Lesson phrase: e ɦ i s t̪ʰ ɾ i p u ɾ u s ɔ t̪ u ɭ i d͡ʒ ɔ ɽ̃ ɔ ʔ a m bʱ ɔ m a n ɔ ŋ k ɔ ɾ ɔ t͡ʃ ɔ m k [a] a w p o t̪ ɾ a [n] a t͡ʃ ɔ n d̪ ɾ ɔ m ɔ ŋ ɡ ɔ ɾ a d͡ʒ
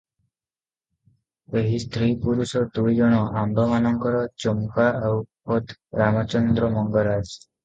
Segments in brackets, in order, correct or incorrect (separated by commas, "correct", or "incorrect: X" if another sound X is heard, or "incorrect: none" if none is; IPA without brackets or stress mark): correct, incorrect: m